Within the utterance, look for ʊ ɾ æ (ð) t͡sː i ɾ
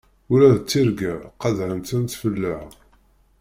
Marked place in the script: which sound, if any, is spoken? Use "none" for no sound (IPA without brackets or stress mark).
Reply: ð